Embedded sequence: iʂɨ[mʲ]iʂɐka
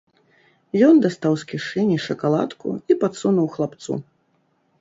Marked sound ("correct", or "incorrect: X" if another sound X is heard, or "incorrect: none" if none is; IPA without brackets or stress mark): incorrect: nʲ